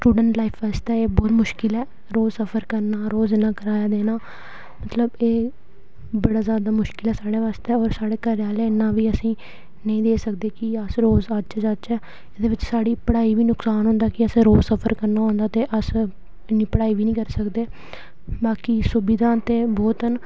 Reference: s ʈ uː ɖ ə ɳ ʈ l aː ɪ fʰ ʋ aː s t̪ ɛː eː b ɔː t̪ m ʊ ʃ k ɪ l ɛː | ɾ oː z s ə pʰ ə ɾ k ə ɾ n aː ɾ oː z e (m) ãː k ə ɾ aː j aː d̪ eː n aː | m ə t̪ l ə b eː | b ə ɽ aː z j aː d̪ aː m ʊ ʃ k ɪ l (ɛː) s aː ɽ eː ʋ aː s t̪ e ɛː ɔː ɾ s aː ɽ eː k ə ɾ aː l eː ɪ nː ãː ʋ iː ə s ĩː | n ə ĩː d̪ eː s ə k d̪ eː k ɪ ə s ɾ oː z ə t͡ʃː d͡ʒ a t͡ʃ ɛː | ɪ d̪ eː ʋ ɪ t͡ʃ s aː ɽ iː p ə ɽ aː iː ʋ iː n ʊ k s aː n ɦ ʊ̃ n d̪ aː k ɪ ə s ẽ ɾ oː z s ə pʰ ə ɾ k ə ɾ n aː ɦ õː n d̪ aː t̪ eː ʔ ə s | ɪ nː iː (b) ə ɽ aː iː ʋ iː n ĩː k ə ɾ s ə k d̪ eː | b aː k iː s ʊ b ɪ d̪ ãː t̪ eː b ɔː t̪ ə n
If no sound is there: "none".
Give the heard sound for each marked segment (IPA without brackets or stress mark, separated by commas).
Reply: n, ɛː, p